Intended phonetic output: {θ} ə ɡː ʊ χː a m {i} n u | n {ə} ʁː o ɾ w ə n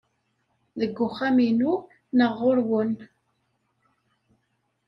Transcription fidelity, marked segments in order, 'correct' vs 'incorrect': incorrect: ð, correct, correct

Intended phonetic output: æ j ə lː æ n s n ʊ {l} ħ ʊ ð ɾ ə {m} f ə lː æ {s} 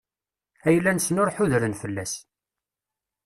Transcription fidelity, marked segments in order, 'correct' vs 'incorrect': incorrect: ɾ, incorrect: n, correct

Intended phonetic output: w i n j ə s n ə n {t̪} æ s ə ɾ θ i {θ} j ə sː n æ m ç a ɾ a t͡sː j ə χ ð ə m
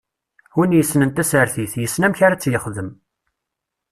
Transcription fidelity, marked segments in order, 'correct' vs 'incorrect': correct, correct

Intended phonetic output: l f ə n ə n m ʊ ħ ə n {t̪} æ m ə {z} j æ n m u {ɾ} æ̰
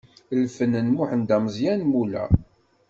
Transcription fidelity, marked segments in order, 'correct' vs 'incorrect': incorrect: d̪, correct, incorrect: l

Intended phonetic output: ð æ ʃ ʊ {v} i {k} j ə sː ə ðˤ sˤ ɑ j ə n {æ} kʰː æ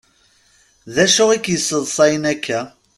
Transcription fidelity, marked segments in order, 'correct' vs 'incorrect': incorrect: ʁ, correct, correct

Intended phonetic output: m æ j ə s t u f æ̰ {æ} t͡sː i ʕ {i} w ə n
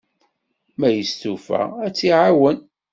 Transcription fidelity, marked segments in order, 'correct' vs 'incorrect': correct, incorrect: a

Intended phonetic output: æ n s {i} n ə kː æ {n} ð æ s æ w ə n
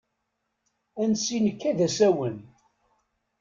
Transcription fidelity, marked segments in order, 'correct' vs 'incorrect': correct, incorrect: none

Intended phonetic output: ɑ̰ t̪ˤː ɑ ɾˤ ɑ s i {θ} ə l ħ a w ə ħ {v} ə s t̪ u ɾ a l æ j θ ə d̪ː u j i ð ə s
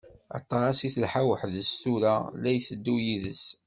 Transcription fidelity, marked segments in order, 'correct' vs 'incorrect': correct, incorrect: ð

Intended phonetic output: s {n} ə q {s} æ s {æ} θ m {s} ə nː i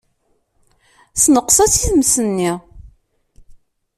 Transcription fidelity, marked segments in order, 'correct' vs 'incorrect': correct, correct, incorrect: i, correct

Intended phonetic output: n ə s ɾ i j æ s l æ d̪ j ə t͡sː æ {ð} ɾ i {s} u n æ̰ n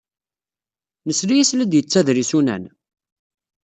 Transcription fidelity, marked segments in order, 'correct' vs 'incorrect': correct, correct

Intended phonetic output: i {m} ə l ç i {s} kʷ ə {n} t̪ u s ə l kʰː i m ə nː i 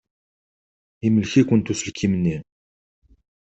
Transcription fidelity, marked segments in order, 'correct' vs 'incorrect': correct, incorrect: none, correct

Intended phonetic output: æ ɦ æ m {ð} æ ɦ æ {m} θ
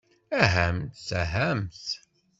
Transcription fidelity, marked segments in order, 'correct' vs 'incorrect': incorrect: θ, correct

